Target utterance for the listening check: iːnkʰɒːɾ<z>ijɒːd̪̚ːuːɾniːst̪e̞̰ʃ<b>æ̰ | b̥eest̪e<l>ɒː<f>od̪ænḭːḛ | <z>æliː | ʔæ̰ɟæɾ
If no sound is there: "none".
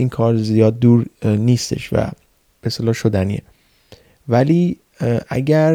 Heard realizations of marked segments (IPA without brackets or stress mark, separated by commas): z, v, l, ʃ, v